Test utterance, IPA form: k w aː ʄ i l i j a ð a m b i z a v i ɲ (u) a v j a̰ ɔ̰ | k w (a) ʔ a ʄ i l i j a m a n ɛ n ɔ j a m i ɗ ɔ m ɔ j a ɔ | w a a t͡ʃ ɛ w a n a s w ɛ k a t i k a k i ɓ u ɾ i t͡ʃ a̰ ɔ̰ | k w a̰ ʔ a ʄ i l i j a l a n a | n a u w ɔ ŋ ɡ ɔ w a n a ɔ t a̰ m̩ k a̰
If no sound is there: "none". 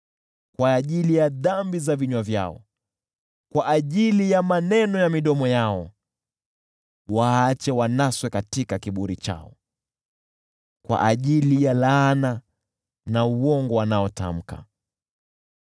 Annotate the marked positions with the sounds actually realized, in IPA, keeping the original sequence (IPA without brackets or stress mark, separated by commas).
w, a